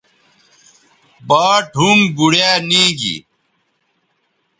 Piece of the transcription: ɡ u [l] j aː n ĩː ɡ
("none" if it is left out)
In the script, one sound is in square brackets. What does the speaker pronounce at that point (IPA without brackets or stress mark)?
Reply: ɽ